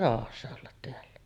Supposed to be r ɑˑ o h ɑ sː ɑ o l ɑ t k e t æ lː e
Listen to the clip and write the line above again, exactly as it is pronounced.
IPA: r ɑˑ o h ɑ sː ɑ o lː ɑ t t e æ lː æ